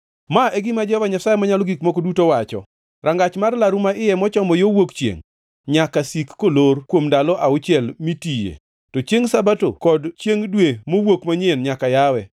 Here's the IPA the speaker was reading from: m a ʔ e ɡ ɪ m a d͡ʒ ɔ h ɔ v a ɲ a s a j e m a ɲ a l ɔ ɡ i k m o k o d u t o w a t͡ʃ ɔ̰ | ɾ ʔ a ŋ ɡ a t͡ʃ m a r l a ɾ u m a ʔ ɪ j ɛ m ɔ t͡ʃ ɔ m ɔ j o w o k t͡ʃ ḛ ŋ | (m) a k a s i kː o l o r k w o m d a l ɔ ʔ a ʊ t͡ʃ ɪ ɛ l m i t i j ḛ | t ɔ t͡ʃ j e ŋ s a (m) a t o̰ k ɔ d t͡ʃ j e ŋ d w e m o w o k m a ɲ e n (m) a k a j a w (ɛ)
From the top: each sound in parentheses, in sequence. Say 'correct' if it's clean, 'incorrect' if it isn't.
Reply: incorrect, incorrect, incorrect, correct

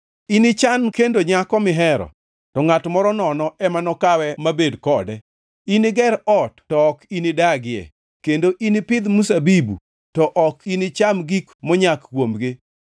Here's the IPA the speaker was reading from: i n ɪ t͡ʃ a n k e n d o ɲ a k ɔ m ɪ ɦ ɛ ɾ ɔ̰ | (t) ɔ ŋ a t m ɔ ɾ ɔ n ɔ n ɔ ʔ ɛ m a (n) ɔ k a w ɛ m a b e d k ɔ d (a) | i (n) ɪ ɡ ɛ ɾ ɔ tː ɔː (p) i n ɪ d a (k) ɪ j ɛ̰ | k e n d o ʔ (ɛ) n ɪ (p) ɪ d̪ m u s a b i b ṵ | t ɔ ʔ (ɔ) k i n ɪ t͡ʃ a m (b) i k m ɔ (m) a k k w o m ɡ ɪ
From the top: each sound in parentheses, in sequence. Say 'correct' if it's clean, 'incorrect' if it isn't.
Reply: correct, correct, incorrect, correct, incorrect, incorrect, incorrect, correct, correct, incorrect, incorrect

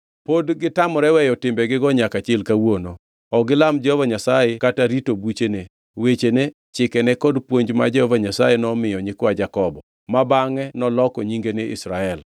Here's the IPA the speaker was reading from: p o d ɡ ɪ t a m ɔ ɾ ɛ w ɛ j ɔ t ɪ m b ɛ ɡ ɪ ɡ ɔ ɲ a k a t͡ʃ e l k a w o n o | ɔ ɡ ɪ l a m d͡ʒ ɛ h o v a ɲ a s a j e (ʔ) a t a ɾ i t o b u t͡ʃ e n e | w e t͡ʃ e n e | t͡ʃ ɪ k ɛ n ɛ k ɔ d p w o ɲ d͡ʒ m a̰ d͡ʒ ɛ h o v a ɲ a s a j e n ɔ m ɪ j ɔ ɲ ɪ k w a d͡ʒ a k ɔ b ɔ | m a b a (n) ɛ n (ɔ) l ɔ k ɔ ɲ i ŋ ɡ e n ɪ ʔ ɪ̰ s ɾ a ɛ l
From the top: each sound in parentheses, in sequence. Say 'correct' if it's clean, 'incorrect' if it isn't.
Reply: incorrect, incorrect, correct

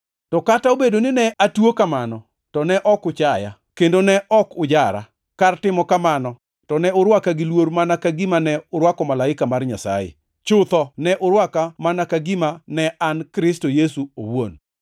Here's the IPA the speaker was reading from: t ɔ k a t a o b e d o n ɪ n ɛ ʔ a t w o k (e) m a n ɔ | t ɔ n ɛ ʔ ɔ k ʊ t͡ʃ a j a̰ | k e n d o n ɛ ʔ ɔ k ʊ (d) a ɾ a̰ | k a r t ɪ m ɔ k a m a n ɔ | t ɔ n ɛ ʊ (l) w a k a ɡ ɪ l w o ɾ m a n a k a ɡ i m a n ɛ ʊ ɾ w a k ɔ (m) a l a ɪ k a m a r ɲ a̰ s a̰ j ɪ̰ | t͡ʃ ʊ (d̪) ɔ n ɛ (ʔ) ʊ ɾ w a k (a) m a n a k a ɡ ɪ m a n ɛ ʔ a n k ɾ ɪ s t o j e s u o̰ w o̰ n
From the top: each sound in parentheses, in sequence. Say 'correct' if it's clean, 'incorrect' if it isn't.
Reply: incorrect, incorrect, incorrect, correct, incorrect, correct, correct

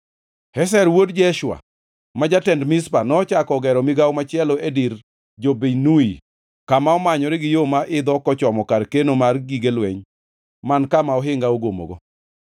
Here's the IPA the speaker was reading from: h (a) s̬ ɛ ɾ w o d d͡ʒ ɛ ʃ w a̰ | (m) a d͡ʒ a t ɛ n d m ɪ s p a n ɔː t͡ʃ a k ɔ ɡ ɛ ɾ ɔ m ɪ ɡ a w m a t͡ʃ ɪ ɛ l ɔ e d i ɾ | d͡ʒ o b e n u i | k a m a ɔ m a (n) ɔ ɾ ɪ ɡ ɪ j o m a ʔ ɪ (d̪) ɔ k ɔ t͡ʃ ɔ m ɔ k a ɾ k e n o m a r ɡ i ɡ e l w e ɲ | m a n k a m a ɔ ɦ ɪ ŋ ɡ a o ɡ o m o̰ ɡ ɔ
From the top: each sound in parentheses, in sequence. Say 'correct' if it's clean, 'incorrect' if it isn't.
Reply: incorrect, correct, incorrect, correct

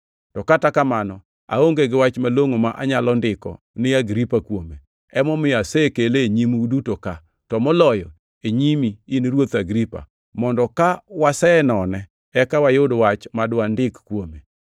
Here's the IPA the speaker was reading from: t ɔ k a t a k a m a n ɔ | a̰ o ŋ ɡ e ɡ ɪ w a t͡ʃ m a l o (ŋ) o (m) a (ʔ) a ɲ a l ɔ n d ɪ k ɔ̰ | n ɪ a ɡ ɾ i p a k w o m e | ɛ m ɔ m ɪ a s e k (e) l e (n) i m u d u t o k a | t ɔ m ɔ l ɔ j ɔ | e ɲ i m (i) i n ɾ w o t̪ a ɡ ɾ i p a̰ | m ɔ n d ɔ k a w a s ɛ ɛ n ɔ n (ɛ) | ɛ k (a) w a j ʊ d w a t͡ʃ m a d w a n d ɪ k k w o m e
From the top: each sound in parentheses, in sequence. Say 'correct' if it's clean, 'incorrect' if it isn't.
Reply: correct, correct, correct, correct, incorrect, correct, correct, correct

